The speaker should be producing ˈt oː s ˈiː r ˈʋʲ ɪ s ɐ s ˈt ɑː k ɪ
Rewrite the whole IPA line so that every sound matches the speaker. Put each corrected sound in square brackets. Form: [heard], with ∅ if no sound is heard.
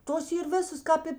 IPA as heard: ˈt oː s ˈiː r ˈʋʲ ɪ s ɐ s [ˈk] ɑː [p] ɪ